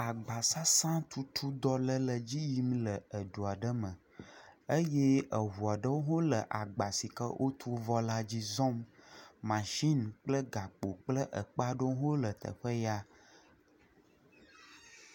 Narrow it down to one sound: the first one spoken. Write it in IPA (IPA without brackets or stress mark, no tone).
a